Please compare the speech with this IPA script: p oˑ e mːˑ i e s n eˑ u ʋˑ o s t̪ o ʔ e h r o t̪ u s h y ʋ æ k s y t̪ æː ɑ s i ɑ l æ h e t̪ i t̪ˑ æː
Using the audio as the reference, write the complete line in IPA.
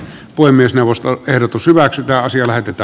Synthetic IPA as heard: p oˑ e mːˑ i e s n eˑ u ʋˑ o s t̪ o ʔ e h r o t̪ u s h y ʋ æ k s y t̪ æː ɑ s i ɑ l æ h e t̪ e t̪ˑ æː